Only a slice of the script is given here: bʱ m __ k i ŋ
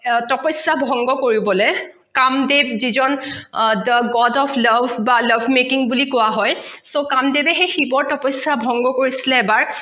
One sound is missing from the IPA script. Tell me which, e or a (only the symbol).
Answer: e